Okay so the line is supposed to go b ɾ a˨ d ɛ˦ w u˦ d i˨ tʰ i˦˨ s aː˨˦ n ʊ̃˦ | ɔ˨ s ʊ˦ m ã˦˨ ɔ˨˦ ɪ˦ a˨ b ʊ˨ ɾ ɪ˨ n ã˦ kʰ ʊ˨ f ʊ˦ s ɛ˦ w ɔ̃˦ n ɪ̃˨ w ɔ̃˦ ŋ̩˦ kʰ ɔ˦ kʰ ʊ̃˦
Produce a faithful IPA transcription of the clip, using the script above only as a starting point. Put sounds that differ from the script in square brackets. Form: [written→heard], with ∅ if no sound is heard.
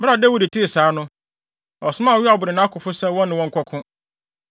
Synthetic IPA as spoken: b ɾ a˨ d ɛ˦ w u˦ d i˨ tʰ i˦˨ s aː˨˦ n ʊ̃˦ | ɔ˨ s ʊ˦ m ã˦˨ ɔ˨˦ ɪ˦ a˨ b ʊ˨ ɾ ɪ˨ n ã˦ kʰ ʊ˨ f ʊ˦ s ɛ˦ w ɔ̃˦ n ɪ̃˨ w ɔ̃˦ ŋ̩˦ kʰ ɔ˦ kʰ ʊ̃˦